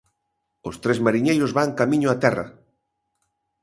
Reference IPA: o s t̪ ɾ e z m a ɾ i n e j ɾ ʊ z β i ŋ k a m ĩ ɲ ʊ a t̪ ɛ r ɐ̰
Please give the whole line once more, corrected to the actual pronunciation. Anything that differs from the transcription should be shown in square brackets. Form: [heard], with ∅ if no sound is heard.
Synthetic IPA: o s t̪ ɾ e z m a ɾ i [ɲ] e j ɾ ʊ z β [a] ŋ k a m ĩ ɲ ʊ a t̪ ɛ r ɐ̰